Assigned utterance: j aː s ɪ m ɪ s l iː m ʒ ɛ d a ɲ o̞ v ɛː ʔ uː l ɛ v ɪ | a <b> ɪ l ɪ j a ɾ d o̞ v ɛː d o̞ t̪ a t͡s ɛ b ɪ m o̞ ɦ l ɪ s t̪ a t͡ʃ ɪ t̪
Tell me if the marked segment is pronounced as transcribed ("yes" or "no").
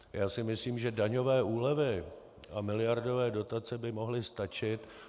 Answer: no